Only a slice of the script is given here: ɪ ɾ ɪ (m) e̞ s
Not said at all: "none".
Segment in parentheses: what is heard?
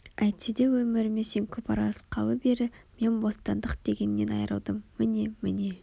m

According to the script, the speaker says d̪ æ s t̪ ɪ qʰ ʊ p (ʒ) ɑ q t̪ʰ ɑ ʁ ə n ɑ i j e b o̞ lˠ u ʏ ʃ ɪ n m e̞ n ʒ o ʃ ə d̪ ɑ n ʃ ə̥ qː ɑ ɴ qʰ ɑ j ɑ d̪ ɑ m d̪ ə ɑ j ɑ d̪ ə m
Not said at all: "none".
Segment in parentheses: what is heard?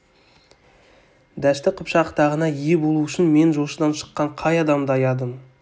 ʃ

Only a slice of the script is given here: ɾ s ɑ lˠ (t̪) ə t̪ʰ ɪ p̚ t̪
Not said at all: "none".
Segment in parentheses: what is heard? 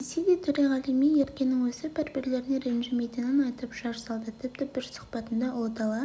d̪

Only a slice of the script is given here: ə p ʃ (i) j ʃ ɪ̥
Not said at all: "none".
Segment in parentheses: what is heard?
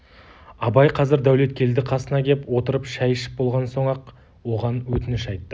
æ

